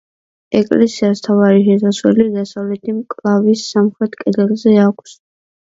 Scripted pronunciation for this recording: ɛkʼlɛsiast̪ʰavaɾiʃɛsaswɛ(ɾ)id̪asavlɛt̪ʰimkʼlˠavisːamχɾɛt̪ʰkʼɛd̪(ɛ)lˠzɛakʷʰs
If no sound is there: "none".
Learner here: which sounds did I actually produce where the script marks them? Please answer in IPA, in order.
l, ɛ

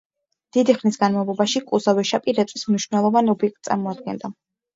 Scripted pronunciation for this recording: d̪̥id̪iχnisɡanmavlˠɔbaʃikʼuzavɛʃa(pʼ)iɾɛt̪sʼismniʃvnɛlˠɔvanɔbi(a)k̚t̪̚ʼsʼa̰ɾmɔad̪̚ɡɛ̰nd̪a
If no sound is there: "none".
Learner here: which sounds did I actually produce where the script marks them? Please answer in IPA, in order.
pʼ, ɛ

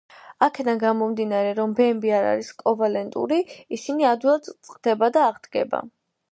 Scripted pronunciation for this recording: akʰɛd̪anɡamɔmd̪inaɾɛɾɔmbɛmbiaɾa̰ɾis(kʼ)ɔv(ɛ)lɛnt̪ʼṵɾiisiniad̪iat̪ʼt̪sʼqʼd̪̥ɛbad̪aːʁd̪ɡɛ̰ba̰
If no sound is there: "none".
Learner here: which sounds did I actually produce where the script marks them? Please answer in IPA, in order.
kʼ, a

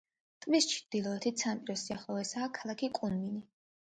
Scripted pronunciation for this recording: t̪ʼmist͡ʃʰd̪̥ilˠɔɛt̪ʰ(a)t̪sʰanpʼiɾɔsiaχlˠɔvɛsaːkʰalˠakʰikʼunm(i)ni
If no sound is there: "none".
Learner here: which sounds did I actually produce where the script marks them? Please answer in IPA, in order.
i, i

